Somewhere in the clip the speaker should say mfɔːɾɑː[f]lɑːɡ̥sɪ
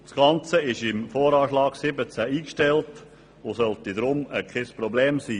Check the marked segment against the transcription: incorrect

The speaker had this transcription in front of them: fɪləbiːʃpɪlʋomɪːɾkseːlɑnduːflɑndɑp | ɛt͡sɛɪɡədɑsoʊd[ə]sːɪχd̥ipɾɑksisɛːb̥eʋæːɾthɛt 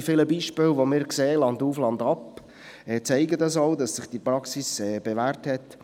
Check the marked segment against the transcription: incorrect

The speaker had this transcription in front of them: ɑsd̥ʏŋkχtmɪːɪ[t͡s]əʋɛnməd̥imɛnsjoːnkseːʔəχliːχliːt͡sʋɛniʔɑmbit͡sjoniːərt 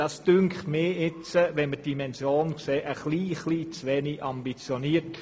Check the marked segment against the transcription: correct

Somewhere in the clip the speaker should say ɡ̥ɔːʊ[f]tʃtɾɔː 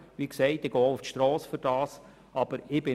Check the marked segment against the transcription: correct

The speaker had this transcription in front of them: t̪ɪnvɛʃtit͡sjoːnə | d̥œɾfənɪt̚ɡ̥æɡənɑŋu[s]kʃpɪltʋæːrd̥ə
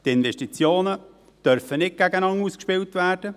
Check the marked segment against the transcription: correct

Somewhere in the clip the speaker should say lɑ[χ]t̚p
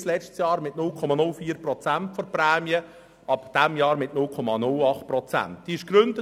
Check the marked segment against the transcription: correct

